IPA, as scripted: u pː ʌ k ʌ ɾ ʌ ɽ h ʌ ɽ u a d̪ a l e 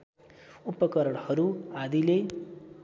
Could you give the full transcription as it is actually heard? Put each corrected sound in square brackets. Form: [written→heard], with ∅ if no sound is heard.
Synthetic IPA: u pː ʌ k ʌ ɾ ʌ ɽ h ʌ [ɽ→ɾ] u a d̪ [a→i] l e

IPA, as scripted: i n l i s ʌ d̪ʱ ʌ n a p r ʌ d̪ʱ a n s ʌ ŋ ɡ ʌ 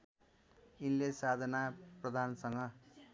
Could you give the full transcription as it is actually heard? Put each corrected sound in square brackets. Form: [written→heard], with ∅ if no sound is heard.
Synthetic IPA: i n l [i→e] s [ʌ→a] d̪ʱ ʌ n a p r ʌ d̪ʱ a n s ʌ ŋ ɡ ʌ

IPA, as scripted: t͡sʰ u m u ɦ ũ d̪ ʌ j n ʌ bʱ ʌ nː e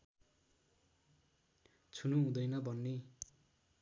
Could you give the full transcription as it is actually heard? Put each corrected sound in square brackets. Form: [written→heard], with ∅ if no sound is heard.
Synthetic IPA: t͡sʰ u [m→n] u ɦ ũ d̪ ʌ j n ʌ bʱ ʌ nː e

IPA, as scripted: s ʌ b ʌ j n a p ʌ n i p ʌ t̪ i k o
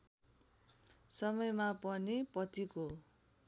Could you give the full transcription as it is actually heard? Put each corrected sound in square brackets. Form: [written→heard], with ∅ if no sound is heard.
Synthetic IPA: s ʌ [b→m] ʌ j [n→m] a p ʌ n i p ʌ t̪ i k o

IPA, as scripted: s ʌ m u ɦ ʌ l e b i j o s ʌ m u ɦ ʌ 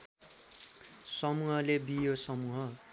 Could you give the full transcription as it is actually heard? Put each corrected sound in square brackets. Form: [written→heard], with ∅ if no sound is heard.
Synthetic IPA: s ʌ m u ɦ ʌ l e b i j o s ʌ m u ɦ ʌ

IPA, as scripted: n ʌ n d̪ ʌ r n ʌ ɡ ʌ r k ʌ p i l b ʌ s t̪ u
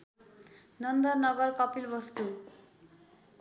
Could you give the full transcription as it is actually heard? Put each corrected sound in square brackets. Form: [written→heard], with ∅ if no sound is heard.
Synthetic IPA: n ʌ n d̪ ʌ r n ʌ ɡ ʌ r k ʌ p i l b ʌ s t̪ u

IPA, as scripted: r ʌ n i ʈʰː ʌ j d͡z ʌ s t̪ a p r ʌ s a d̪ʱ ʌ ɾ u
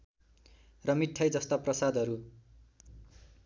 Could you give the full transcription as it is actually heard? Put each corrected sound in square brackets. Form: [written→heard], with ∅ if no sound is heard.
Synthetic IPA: r ʌ [n→m] i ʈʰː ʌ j d͡z ʌ s t̪ a p r ʌ s a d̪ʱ ʌ ɾ u

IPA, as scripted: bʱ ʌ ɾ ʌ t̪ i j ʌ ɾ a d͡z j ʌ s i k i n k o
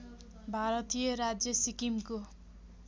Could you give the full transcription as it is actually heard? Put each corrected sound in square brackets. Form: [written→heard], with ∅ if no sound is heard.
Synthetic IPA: bʱ [ʌ→a] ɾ ʌ t̪ i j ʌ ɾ a d͡z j ʌ s i k i [n→m] k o

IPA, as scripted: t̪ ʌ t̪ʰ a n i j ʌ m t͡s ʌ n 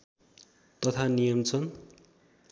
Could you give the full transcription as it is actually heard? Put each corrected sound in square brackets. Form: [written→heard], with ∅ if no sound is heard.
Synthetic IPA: t̪ ʌ t̪ʰ a n i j ʌ m [t͡s→t͡sʰ] ʌ n

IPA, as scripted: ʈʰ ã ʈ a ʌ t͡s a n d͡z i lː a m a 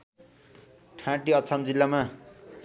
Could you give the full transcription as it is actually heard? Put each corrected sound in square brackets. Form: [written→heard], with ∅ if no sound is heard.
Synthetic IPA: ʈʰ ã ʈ [a→i] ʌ [t͡s→t͡sʰ] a [n→m] d͡z i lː a m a

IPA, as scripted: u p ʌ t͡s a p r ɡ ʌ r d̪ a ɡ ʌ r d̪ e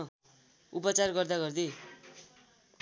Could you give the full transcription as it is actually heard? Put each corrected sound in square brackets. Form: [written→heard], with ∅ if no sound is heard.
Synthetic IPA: u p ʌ t͡s a [p→∅] r ɡ ʌ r d̪ a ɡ ʌ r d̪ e

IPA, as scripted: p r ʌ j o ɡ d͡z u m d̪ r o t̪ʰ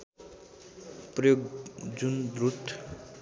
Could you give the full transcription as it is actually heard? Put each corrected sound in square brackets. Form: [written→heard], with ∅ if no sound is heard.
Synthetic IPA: p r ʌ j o ɡ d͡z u [m→n] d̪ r [o→u] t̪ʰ

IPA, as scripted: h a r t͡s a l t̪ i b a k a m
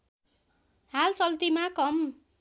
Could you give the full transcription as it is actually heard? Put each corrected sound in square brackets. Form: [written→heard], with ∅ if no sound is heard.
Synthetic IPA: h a [r→l] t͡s [a→ʌ] l t̪ i [b→m] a k [a→ʌ] m

